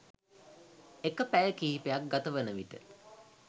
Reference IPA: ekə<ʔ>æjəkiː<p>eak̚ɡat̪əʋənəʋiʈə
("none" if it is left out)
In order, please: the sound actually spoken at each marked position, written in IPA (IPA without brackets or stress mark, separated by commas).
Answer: p, p